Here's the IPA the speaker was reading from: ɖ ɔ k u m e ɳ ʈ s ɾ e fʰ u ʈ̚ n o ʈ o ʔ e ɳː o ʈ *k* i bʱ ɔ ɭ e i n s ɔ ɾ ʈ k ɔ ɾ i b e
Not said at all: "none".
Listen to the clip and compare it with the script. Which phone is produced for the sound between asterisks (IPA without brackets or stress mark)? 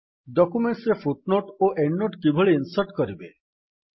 k